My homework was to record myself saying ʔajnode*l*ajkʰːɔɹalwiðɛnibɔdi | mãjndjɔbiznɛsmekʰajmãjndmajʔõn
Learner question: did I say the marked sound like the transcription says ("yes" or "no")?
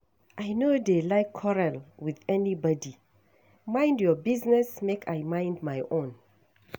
yes